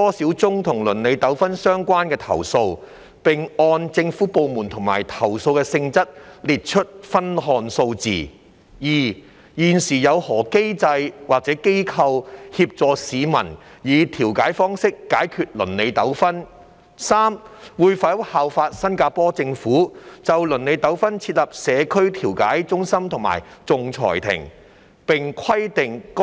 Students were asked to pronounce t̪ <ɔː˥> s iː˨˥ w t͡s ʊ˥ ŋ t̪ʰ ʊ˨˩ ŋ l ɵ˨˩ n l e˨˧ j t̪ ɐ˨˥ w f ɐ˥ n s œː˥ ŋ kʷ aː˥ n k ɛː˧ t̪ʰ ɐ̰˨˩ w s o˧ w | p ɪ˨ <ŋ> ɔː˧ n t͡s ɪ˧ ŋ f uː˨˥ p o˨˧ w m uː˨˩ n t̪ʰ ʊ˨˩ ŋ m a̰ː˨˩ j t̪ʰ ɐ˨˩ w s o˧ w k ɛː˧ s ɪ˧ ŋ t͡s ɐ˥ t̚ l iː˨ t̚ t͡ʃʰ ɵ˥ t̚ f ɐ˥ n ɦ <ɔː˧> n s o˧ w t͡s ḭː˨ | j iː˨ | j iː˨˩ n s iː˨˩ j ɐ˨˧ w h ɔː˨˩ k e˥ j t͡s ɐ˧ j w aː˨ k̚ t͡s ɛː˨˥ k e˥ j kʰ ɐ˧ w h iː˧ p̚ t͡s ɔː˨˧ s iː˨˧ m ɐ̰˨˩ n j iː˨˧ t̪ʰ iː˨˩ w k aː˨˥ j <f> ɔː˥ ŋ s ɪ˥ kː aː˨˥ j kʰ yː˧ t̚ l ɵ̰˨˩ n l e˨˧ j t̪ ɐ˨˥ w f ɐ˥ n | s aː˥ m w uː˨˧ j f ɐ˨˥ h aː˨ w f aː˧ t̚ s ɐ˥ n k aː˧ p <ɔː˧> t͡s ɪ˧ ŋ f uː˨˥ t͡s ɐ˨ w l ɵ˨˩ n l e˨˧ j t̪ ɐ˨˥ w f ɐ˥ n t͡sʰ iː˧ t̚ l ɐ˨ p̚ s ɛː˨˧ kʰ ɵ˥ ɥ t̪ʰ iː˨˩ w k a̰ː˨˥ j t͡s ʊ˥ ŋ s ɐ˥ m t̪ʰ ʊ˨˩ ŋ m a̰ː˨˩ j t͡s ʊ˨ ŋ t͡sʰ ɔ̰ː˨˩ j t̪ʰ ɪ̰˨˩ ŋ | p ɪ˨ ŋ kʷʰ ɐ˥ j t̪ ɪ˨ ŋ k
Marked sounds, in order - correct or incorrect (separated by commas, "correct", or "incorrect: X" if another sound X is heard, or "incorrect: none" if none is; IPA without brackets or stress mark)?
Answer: correct, correct, correct, correct, incorrect: ɔː˥